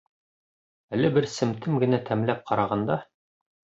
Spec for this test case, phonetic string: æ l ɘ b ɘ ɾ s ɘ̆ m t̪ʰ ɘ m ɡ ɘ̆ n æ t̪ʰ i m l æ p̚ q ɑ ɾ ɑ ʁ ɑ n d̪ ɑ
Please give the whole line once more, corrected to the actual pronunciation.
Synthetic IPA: æ l ɘ b ɘ ɾ s ɘ̆ m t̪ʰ ɘ m ɡ ɘ̆ n æ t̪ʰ æ m l æ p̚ q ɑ ɾ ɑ ʁ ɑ n d̪ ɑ